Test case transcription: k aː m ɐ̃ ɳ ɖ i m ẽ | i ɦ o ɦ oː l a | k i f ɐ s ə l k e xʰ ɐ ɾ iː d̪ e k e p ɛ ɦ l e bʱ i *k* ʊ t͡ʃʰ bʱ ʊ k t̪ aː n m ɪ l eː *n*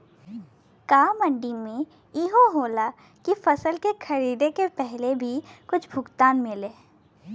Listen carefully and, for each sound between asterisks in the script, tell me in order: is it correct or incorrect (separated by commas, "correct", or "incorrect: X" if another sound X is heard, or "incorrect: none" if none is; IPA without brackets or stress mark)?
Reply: correct, incorrect: none